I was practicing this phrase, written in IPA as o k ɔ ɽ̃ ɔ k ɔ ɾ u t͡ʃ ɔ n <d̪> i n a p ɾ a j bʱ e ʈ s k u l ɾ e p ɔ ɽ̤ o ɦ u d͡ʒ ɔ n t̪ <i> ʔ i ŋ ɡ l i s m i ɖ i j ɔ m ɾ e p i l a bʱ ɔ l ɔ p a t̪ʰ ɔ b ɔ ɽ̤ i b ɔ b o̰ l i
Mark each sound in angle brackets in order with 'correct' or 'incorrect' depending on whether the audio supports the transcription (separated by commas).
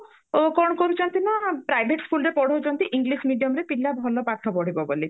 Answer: incorrect, correct